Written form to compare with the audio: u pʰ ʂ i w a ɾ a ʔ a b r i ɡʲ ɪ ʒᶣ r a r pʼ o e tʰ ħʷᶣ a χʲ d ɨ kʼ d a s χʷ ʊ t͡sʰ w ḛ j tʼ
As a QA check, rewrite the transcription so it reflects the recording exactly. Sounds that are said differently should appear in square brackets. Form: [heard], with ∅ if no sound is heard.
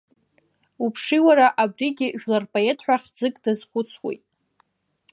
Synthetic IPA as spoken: u pʰ ʂ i w a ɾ a ʔ a b r i ɡʲ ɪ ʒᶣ [l] a r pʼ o e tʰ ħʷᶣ a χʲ [d͡z] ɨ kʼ d a [z] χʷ ʊ t͡sʰ w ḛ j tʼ